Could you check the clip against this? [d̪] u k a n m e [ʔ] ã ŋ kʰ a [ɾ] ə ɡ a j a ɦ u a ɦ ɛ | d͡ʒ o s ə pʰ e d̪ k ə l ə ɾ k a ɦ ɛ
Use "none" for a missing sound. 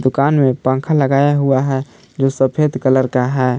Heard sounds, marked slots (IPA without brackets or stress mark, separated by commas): d̪, p, l